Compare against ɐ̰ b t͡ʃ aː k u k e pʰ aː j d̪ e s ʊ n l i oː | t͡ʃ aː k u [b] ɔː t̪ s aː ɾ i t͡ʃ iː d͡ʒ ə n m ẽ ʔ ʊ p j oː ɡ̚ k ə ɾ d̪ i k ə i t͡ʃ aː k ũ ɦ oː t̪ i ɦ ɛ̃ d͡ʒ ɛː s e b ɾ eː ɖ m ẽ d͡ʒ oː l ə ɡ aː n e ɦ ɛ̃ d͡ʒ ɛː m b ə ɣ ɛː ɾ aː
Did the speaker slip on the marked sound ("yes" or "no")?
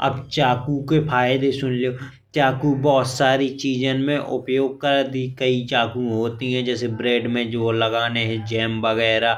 no